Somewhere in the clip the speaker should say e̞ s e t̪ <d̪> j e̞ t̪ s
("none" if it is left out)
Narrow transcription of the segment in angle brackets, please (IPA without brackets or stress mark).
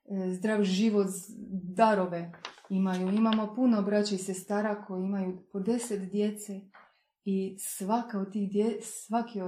d̪